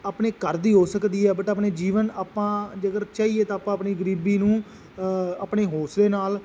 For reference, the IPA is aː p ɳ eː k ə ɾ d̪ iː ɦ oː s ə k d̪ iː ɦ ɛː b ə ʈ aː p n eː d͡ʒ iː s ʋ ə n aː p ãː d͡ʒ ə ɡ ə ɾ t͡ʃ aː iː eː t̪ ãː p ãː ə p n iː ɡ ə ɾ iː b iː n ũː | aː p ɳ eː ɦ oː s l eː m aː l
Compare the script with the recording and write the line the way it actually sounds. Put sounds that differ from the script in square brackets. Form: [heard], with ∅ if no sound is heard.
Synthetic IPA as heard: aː p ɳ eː k ə ɾ d̪ iː ɦ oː s ə k d̪ iː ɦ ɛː b ə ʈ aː p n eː d͡ʒ iː [∅] ʋ ə n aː p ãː d͡ʒ ə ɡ ə ɾ t͡ʃ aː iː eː t̪ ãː p ãː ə p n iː ɡ ə ɾ iː b iː n ũː | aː p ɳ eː ɦ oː s l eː [n] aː l